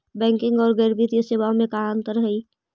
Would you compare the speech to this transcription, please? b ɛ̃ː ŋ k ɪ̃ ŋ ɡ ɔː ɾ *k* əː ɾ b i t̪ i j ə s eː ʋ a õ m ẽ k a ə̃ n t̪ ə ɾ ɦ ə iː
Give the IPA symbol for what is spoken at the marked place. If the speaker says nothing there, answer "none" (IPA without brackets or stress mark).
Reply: ɡ